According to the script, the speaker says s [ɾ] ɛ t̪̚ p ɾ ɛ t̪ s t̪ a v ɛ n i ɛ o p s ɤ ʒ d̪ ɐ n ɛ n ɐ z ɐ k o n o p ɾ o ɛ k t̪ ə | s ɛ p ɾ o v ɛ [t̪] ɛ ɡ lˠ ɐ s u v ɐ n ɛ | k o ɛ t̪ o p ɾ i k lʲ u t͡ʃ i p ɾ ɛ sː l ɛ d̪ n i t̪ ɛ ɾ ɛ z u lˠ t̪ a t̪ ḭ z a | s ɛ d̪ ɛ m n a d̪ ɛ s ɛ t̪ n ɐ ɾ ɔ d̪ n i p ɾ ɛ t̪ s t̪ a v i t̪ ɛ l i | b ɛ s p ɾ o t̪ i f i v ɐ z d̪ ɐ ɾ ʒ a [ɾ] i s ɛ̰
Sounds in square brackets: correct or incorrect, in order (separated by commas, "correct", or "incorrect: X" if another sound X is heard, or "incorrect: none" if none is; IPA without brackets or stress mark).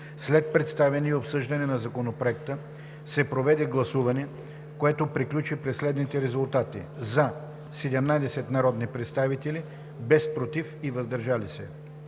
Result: incorrect: l, incorrect: d̪, incorrect: l